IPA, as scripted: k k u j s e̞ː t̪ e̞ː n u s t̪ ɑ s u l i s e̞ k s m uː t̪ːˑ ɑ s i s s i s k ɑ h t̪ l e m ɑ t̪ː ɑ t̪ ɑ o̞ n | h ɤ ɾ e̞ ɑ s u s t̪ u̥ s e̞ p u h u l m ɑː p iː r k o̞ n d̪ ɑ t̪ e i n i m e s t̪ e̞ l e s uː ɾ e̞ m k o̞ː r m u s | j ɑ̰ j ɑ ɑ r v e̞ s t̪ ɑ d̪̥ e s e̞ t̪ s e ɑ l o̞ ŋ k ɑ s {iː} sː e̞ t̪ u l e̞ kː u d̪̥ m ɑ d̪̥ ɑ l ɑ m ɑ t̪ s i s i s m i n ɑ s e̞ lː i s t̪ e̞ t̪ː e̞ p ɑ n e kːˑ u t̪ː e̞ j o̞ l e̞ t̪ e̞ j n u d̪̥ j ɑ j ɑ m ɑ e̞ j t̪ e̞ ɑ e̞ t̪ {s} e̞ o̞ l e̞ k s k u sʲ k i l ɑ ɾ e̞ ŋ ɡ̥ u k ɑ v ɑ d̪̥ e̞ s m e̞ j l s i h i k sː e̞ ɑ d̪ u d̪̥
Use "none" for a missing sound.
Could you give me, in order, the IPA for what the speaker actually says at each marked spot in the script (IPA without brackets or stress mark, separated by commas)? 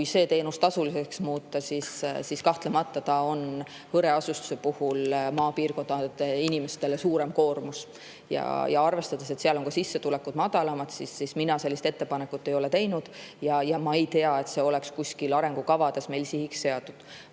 i, s